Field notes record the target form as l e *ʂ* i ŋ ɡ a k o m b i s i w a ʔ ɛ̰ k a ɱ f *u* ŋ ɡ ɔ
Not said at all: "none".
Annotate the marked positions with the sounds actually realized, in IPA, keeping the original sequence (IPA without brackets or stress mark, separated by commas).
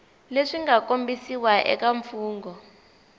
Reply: ʂ, uː